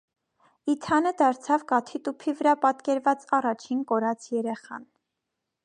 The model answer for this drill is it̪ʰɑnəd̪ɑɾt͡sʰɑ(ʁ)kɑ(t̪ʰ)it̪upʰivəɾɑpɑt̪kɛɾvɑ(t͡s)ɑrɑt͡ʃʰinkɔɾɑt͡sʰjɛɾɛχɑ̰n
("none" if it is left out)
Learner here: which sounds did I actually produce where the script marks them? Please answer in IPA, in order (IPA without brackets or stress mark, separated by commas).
v, t̪ʰ, t͡s